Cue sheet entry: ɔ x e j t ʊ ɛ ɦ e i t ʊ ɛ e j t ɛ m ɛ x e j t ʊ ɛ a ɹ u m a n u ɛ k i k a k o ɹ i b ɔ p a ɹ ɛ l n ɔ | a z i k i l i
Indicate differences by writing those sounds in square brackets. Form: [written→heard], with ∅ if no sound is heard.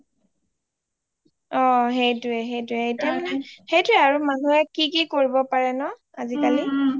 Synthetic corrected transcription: ɔ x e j t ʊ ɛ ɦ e [i→j] t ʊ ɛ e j t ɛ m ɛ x e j t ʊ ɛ a ɹ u m a n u ɛ k i k [a→i] k o ɹ i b ɔ p a ɹ ɛ [l→∅] n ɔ | a z i k [i→a] l i